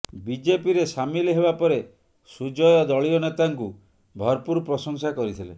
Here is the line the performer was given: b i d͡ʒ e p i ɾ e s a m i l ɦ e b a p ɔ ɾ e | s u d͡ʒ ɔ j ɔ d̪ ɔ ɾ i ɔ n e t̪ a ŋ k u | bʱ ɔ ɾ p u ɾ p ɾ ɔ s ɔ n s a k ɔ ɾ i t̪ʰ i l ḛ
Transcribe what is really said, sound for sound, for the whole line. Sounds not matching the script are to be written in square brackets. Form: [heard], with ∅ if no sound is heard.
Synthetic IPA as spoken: b i d͡ʒ e p i ɾ e s a m i l ɦ e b a p ɔ ɾ e | s u d͡ʒ ɔ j ɔ d̪ ɔ [ɭ] i ɔ n e t̪ a ŋ k u | bʱ ɔ ɾ p u ɾ p ɾ ɔ s ɔ [ŋ] s a k ɔ ɾ i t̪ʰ i l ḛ